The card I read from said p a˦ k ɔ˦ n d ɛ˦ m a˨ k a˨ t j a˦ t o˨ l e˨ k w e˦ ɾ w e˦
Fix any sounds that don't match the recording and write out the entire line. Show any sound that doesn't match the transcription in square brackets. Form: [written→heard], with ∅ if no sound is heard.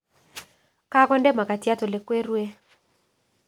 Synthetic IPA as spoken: [p→k] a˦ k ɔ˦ n d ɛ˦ m a˨ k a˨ t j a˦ t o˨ l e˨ k w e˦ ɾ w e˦